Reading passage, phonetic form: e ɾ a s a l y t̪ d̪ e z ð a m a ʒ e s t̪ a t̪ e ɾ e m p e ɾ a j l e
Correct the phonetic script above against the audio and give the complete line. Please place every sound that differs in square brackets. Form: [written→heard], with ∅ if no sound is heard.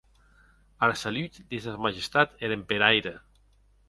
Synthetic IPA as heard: [e→a] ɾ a s a l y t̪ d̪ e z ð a m a ʒ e s t̪ a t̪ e ɾ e m p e ɾ a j [l→ɾ] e